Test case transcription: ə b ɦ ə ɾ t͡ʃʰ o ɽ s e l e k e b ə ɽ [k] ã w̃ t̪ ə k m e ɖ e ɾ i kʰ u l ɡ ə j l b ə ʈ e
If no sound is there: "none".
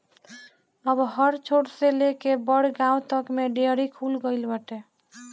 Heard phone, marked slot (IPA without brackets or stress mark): ɡ